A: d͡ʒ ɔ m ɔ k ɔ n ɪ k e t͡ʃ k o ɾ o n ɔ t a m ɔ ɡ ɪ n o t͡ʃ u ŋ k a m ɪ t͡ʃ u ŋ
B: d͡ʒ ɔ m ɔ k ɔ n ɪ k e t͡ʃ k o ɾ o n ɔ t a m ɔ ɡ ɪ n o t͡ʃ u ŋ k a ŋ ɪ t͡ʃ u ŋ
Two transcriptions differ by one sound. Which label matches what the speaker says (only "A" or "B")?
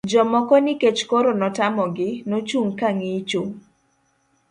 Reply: B